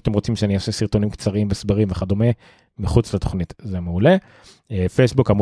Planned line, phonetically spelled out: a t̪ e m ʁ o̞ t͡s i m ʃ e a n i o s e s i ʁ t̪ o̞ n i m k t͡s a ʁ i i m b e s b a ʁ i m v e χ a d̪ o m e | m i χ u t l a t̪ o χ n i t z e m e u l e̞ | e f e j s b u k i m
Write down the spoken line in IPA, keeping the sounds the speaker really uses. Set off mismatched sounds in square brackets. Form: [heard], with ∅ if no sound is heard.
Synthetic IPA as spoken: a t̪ e m ʁ o̞ t͡s i m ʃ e a n i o s e s i ʁ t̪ o̞ n i m k t͡s a ʁ i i m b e s b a ʁ i m v e χ a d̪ o m e | m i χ u [t͡s] l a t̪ o χ n i t z e m e u l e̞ | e f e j s b u k [a] m